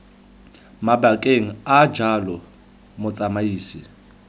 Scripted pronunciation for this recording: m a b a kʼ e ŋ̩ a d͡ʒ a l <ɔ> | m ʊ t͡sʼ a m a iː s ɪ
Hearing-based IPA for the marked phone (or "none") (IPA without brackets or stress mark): ɔ